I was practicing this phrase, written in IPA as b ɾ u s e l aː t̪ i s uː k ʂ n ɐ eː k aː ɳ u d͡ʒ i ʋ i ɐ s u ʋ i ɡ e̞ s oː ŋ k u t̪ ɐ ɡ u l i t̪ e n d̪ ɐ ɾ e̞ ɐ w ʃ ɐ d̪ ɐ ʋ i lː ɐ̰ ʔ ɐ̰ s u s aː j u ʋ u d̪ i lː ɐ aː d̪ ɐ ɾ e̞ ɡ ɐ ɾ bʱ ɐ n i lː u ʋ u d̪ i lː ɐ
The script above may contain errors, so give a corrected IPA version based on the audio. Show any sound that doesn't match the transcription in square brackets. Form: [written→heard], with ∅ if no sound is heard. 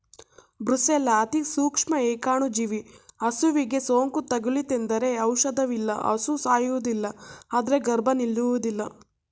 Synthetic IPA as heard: b ɾ u s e l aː t̪ i s uː k ʂ [n→m] ɐ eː k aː ɳ u d͡ʒ i ʋ i ɐ s u ʋ i ɡ e̞ s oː ŋ k u t̪ ɐ ɡ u l i t̪ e n d̪ ɐ ɾ e̞ ɐ w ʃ ɐ d̪ ɐ ʋ i lː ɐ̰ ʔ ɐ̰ s u s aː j u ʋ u d̪ i lː ɐ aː d̪ ɐ ɾ e̞ ɡ ɐ ɾ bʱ ɐ n i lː u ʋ u d̪ i lː ɐ